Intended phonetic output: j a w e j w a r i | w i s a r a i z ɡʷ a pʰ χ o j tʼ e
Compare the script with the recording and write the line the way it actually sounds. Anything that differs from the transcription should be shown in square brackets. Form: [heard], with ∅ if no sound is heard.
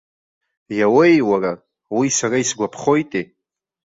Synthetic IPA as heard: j a w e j w a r [a] | w i s a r a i [s] ɡʷ a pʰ χ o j tʼ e